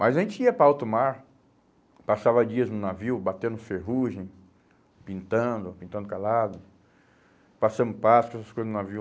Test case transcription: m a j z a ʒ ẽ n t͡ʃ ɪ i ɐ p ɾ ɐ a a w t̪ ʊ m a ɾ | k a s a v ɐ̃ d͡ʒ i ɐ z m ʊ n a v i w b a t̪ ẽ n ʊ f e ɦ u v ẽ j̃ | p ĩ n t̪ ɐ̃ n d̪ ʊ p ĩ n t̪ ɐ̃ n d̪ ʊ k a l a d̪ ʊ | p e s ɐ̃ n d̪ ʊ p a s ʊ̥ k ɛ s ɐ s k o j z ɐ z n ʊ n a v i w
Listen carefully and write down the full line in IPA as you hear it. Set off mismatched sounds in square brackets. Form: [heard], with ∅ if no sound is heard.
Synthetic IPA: m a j z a ʒ ẽ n t͡ʃ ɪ i ɐ p ɾ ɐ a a w t̪ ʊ m a ɾ | [p] a s a v [ɐ] d͡ʒ i ɐ z [n] ʊ n a v i w b a t̪ ẽ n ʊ f e ɦ u [ʒ] ẽ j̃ | p ĩ n t̪ ɐ̃ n d̪ ʊ p ĩ n t̪ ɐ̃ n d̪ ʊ k a l a d̪ ʊ | p [a] s ɐ̃ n d̪ ʊ p a s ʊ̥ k ɛ s ɐ s k o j z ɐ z n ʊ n a v i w